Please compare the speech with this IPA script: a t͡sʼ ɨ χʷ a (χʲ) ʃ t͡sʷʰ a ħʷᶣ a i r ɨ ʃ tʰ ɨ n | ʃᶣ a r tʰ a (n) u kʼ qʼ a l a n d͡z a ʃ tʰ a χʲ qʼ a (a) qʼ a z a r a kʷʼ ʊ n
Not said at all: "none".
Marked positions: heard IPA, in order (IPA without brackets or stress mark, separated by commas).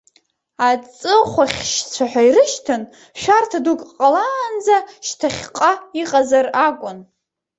χʲ, d, i